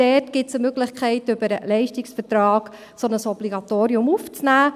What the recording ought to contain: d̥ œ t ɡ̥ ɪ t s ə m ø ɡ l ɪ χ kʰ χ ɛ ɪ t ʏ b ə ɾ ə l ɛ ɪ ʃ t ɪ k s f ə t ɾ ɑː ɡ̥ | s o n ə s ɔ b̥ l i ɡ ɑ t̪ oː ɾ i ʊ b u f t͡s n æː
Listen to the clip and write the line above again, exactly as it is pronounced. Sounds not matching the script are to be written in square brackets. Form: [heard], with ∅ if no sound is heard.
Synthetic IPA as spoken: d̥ [ɛ] t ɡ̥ ɪ t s ə m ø ɡ l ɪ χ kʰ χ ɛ ɪ t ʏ b ə ɾ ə l ɛ ɪ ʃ t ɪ k s f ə t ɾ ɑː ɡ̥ | s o n ə s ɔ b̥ l i ɡ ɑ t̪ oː ɾ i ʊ [m] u f t͡s n æː